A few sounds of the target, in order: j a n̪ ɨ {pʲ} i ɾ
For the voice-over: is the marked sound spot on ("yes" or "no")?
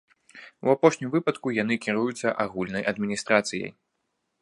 no